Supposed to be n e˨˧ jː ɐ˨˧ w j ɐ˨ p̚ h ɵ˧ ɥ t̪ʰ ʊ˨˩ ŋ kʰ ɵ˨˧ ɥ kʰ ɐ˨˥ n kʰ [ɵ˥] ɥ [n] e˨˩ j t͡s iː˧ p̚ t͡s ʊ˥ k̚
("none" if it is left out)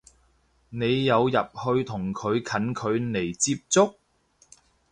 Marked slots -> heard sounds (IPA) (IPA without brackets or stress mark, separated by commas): ɵ˨˧, n